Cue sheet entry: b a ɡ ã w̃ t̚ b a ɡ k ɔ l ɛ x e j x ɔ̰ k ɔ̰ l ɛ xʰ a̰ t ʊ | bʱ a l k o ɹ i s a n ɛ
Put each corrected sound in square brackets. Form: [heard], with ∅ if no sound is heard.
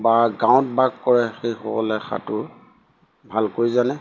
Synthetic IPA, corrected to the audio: b a ɡ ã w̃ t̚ b a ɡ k ɔ [ɹ] ɛ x e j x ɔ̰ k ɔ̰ l ɛ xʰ a̰ t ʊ | bʱ a l k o ɹ i [z] a n ɛ